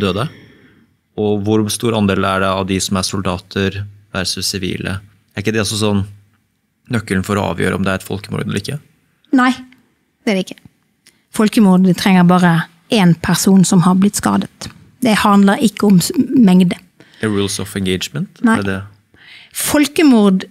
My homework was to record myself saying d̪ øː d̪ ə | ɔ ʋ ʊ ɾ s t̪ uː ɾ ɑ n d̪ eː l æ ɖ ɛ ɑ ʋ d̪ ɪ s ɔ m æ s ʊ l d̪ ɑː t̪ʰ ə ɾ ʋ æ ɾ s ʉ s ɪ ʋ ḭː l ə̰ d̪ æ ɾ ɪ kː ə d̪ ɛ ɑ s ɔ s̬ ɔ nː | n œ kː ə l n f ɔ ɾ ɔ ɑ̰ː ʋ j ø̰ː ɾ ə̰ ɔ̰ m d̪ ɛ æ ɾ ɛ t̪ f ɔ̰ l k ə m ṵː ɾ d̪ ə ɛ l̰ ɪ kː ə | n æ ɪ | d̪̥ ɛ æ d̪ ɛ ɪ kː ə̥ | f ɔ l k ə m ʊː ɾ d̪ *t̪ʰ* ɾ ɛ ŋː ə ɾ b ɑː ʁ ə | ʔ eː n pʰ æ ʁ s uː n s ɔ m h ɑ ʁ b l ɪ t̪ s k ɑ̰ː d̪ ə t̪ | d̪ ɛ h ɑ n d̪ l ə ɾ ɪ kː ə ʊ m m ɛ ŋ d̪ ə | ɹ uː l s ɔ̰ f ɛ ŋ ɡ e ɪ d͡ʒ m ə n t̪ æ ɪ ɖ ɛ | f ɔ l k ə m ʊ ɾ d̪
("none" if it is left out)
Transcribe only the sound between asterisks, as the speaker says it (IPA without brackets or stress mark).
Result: t̪ʰ